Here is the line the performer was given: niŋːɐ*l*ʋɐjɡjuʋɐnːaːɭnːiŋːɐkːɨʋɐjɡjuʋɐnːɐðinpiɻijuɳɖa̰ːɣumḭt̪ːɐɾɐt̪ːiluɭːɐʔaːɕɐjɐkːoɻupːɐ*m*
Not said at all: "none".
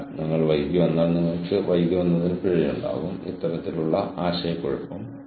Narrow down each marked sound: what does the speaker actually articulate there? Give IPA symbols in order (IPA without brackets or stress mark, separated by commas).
ɭ, m